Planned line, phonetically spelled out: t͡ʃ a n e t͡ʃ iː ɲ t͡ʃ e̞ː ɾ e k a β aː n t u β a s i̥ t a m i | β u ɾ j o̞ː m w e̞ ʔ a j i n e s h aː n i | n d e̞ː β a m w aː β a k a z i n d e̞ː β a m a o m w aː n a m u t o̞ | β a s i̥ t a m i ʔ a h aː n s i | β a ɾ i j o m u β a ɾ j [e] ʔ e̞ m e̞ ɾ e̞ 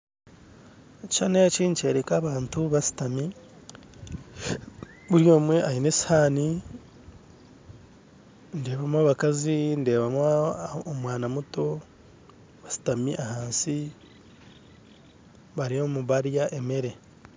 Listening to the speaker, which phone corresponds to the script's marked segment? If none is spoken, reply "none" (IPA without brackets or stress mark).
a